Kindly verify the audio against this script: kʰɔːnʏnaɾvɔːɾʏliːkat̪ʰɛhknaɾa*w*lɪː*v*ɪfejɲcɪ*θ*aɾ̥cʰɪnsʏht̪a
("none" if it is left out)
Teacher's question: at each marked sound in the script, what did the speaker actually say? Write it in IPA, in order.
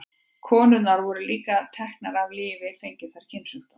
v, v, θ

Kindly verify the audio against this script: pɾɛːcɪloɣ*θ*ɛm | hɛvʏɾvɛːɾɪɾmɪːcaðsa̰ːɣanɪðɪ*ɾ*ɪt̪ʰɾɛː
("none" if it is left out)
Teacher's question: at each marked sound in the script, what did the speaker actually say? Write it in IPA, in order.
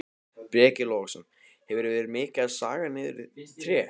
s, ɾ

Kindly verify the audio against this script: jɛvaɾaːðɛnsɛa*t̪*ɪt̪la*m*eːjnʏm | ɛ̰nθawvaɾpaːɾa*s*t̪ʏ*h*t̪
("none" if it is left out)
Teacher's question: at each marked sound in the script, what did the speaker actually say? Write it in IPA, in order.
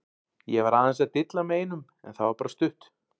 t̪, m, s, h

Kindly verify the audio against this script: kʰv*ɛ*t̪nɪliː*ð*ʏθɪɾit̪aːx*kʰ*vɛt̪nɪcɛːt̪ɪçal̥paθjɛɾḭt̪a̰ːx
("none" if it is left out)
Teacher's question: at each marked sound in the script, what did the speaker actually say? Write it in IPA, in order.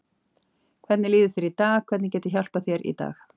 ɛ, ð, kʰ

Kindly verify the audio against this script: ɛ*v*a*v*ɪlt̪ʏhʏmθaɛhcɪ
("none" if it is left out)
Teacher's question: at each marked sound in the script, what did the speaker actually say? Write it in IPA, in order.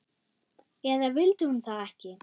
ð, v

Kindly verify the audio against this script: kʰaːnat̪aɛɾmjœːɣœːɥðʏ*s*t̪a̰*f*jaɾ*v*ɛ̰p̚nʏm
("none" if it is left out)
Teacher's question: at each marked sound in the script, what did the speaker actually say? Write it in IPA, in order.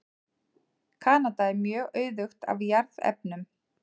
x, v, ð

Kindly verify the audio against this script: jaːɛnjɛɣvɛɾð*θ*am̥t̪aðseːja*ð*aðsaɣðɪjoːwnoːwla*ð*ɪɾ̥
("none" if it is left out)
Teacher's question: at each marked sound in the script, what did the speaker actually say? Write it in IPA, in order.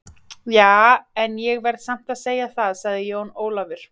s, θ, v

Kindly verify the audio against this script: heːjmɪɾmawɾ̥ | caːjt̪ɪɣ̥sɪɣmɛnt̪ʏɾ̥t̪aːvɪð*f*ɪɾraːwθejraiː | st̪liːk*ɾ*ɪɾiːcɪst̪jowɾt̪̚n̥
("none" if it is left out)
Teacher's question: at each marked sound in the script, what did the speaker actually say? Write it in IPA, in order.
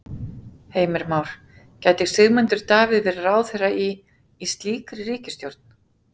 v, ɾ

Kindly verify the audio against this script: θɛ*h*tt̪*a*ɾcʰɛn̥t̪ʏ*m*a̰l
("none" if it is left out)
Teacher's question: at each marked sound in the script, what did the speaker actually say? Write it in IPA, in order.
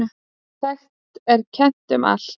x, ɛ, m

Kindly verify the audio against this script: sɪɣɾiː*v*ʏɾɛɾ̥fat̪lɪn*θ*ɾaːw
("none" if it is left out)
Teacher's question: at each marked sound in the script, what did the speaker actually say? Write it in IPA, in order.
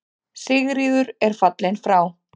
ð, f

